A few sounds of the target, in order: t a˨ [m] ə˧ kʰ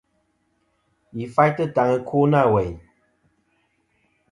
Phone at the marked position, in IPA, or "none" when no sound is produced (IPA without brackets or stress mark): ŋ